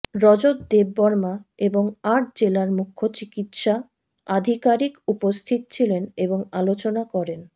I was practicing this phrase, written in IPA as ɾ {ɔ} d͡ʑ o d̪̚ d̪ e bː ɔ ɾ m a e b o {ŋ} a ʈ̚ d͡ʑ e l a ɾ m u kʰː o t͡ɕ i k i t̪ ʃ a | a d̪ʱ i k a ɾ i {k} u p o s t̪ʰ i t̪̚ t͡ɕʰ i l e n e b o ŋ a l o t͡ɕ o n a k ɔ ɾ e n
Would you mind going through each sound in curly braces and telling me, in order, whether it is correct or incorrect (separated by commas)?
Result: correct, correct, correct